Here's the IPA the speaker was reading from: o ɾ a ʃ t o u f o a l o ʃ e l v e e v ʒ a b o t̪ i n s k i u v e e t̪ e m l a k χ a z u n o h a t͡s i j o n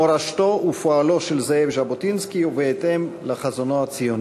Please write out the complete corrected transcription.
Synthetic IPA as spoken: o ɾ a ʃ t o u f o a l o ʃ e l z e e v ʒ a b o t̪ i n s k i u v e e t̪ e m l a χ a z o n o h a t͡s i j o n

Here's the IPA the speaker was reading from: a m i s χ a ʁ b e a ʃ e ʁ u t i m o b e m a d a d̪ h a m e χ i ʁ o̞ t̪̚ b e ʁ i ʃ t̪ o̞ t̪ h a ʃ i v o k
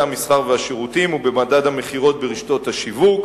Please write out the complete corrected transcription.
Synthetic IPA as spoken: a m i s χ a ʁ v e a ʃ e ʁ u t i m u b e m a d a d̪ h a m e χ i ʁ o̞ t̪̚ b e ʁ i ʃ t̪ o̞ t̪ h a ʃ i v u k

